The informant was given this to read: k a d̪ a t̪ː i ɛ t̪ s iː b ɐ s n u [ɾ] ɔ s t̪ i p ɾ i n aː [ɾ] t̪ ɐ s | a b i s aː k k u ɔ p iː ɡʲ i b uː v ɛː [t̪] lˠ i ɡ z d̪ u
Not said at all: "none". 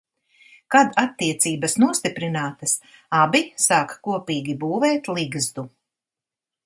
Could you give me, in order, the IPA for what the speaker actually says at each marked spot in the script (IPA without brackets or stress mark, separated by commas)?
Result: none, none, t̪